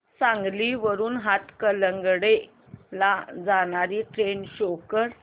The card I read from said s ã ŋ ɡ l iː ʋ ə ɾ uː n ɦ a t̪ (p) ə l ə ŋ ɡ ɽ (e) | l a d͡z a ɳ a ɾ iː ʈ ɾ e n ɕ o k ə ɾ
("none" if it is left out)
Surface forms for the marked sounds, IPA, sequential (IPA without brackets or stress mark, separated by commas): k, e